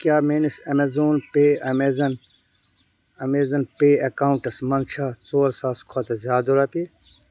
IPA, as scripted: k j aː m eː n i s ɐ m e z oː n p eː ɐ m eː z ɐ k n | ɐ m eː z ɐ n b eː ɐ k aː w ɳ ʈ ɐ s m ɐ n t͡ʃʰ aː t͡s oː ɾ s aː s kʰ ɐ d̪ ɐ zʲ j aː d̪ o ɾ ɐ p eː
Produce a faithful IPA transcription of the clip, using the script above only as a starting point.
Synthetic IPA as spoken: k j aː m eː n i s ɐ m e z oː n p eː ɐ m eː z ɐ n | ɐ m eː z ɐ n p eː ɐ k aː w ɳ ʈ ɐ s m ɐ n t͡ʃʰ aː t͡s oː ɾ s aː s kʰ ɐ t̪ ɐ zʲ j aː d̪ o ɾ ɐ p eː